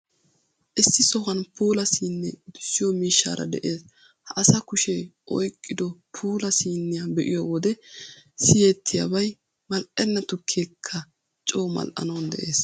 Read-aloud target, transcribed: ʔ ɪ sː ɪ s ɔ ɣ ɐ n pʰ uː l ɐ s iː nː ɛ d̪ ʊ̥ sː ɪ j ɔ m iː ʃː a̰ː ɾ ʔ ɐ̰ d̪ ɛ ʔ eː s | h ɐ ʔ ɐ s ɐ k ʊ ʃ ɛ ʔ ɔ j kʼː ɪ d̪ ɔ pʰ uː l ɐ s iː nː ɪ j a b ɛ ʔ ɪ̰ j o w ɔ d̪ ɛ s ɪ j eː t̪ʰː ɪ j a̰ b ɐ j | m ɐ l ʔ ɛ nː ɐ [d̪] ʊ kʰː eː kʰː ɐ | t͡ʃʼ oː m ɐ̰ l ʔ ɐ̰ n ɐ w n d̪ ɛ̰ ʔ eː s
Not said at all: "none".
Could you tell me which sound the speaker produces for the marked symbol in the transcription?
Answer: t̪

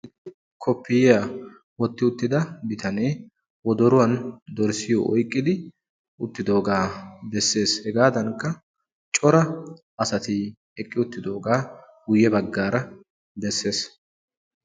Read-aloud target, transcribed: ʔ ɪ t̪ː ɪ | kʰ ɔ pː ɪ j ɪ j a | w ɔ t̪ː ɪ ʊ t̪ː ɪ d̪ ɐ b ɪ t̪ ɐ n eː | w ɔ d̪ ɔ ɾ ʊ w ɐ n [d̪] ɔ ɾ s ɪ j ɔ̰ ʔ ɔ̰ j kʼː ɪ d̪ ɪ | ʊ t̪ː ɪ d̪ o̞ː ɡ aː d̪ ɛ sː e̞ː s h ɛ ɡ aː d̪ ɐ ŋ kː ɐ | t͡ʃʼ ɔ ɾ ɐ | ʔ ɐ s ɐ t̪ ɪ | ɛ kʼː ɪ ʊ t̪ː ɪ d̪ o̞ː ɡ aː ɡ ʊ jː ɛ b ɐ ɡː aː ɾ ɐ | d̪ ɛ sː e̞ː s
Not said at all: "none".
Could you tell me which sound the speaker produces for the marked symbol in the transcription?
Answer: d̪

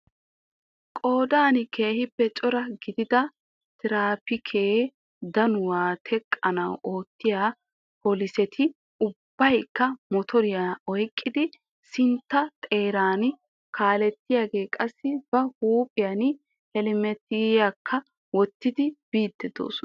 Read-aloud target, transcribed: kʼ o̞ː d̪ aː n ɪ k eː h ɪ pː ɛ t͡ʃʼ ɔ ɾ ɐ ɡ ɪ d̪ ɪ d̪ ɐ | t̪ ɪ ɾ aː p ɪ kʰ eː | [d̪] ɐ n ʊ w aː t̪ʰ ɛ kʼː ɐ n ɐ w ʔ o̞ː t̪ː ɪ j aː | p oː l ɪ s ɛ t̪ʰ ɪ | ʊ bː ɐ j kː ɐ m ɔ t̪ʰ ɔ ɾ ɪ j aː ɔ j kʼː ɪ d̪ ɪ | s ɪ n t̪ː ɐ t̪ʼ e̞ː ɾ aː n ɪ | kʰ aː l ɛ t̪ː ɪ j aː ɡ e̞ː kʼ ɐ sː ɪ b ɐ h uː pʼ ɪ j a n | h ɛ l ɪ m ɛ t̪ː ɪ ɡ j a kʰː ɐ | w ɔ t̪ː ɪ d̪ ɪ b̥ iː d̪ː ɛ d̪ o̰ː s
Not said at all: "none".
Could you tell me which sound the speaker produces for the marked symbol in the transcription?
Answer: d̪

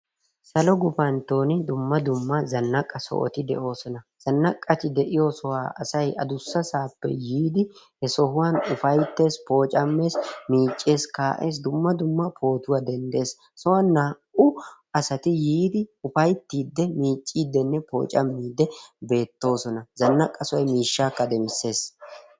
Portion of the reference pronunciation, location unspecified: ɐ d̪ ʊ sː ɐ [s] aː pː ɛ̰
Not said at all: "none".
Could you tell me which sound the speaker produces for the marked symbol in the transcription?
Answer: s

